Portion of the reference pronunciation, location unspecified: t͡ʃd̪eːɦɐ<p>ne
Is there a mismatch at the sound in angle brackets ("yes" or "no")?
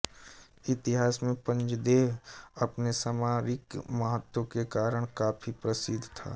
no